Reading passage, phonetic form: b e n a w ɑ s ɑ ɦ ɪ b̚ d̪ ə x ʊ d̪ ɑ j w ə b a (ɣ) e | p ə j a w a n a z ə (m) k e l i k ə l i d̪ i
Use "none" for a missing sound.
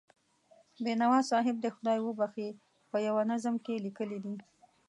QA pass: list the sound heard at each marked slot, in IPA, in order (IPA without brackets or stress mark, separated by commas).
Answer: x, m